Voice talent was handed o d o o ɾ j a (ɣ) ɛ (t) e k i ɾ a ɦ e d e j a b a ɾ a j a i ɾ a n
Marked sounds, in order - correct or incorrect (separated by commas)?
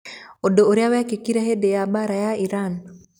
incorrect, incorrect